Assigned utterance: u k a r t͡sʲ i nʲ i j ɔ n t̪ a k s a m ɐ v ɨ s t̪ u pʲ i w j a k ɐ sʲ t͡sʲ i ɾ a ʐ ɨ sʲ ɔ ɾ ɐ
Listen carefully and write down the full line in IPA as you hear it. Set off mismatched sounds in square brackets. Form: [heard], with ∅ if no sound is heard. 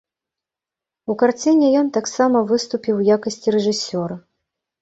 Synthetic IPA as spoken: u k a r t͡sʲ i nʲ [ɛ] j ɔ n t̪ a k s a m ɐ v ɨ s t̪ u pʲ i w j a k ɐ sʲ t͡sʲ i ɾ [ɛ] ʐ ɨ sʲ ɔ ɾ ɐ

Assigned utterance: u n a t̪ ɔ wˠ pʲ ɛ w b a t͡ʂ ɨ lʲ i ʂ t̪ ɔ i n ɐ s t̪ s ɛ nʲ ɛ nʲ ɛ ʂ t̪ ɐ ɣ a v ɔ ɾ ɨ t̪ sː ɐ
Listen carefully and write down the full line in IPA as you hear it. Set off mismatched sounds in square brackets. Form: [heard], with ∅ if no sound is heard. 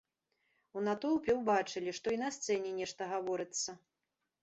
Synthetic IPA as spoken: u n a t̪ ɔ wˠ pʲ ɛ w b a t͡ʂ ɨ lʲ i ʂ t̪ ɔ i n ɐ s t̪ s ɛ nʲ ɛ nʲ ɛ ʂ t̪ ɐ ɣ a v ɔ ɾ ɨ t̪ sː ɐ

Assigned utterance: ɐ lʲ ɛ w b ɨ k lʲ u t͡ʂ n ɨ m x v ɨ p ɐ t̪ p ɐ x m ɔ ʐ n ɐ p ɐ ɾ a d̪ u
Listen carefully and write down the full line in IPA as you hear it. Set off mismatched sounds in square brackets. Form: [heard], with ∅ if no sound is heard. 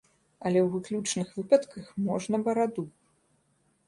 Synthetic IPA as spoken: ɐ lʲ ɛ w [v] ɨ k lʲ u t͡ʂ n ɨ [∅] x v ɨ p ɐ t̪ [k] ɐ x m ɔ ʐ n ɐ [b] ɐ ɾ a d̪ u

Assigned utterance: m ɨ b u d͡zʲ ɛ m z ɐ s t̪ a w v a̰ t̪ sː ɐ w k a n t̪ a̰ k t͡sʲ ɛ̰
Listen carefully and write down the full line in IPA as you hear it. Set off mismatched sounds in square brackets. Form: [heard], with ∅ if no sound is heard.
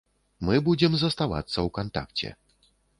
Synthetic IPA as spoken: m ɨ b u d͡zʲ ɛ m z ɐ s t̪ a [∅] v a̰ t̪ sː ɐ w k a n t̪ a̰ k t͡sʲ ɛ̰

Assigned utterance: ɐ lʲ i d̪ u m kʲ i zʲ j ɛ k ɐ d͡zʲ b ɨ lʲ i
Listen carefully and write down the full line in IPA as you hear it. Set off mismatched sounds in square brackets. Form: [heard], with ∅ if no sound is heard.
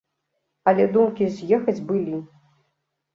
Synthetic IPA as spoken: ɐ lʲ [ɛ] d̪ u m kʲ i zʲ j ɛ [x] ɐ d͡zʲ b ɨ lʲ i

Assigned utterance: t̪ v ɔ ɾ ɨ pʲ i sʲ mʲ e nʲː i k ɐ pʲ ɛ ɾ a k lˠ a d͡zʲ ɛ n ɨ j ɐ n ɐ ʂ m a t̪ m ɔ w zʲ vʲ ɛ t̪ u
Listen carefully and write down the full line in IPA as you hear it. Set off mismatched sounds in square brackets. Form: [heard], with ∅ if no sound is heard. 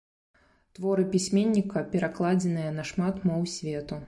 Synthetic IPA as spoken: t̪ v ɔ ɾ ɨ pʲ i sʲ mʲ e nʲː i k ɐ pʲ ɛ ɾ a k lˠ a d͡zʲ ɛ n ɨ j ɐ n ɐ ʂ m a t̪ m ɔ w [sʲ] vʲ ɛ t̪ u

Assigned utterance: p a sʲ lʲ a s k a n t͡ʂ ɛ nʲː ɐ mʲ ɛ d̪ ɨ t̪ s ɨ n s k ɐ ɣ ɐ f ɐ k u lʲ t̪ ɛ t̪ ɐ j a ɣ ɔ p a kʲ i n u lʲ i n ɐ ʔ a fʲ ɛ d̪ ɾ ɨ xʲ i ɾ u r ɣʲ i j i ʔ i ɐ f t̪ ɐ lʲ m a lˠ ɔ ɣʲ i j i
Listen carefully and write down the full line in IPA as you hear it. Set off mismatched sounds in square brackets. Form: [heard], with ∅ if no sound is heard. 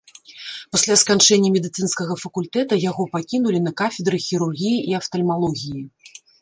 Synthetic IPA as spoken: p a sʲ lʲ a s k a n t͡ʂ ɛ nʲː ɐ mʲ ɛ d̪ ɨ t̪ s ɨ n s k ɐ ɣ ɐ f ɐ k u lʲ t̪ ɛ t̪ ɐ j a ɣ ɔ p a kʲ i n u lʲ i n ɐ [k] a fʲ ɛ d̪ ɾ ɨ xʲ i ɾ u r ɣʲ i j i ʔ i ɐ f t̪ ɐ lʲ m a lˠ ɔ ɣʲ i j i

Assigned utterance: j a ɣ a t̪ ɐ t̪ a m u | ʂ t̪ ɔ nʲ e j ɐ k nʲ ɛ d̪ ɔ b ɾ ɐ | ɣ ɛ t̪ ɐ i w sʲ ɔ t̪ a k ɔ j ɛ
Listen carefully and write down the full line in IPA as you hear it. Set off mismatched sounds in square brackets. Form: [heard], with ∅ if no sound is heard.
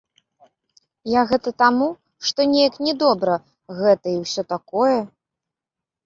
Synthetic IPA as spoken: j a ɣ [ɛ] t̪ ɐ t̪ a m u | ʂ t̪ ɔ nʲ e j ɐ k nʲ ɛ d̪ ɔ b ɾ ɐ | ɣ ɛ t̪ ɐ i w sʲ ɔ t̪ a k ɔ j ɛ

